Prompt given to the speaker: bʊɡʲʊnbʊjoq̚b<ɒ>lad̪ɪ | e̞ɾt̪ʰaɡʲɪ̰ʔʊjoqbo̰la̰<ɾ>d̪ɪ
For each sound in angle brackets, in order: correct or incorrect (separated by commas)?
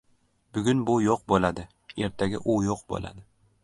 incorrect, incorrect